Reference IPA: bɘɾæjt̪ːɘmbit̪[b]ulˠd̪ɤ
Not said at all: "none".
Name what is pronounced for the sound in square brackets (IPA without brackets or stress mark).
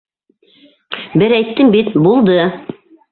b